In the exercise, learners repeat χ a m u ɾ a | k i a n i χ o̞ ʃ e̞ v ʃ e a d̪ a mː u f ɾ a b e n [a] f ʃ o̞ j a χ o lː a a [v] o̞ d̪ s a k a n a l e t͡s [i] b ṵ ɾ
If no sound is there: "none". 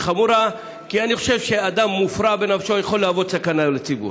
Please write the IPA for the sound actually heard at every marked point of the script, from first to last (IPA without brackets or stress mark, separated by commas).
a, v, i